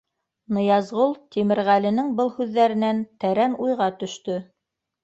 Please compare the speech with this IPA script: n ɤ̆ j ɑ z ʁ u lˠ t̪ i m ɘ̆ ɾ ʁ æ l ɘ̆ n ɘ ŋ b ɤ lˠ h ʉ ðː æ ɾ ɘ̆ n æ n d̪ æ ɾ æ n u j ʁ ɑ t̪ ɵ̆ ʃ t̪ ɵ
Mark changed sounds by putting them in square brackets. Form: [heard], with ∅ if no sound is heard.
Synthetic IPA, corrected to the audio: n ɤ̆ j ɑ z ʁ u lˠ t̪ i m ɘ̆ ɾ ʁ æ l ɘ̆ n ɘ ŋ b ɤ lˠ h ʉ ðː æ ɾ ɘ̆ n æ n [t̪] æ ɾ æ n u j ʁ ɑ t̪ ɵ̆ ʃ t̪ ɵ